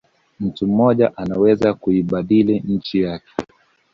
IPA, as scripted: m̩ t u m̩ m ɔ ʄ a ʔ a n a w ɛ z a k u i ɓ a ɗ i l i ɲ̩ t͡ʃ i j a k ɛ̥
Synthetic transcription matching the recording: m̩ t u m̩ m ɔ ʄ a ʔ a n a w ɛ z a k u i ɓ a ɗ i l i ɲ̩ t͡ʃ i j a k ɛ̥